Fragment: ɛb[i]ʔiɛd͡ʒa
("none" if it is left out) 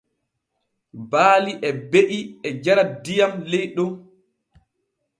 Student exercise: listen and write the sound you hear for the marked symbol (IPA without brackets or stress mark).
e